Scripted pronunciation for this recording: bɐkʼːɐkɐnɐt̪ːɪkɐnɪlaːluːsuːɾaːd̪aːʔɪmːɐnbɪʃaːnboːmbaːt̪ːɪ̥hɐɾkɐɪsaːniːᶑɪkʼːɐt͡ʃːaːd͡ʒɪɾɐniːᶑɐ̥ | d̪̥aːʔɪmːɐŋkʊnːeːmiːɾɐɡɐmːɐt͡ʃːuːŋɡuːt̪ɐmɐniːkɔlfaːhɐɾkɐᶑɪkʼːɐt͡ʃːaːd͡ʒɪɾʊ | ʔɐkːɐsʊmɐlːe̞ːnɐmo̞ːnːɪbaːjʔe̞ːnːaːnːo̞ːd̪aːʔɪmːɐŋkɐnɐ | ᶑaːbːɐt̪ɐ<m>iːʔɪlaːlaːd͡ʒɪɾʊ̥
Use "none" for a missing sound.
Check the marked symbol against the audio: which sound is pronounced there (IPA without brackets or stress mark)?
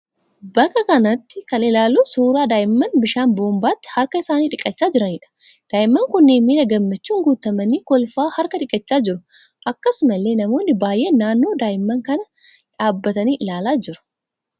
n